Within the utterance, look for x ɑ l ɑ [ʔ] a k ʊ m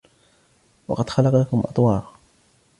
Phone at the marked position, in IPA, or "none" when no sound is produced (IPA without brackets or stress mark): q